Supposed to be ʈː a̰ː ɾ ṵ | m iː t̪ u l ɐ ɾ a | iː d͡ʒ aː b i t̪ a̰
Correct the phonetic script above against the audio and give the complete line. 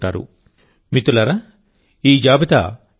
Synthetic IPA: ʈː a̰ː ɾ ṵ | m i t̪ u l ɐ ɾ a | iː d͡ʒ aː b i t̪ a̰